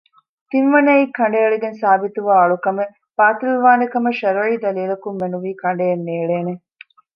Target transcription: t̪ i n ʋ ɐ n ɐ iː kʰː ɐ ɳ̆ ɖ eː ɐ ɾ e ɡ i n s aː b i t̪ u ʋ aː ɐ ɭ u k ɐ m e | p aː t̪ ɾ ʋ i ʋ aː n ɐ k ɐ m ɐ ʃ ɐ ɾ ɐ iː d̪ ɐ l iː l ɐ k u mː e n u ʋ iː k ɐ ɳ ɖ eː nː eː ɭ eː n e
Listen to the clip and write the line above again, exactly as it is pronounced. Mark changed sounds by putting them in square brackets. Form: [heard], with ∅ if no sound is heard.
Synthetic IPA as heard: t̪ i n ʋ ɐ n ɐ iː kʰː ɐ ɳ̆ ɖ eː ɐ [ɭ] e ɡ [e] n s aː b i t̪ u ʋ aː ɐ ɭ u k ɐ m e | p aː t̪ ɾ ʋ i ʋ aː n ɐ k ɐ m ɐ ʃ ɐ ɾ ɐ iː d̪ ɐ l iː l ɐ k u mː e n u ʋ iː k ɐ ɳ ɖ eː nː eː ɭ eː n e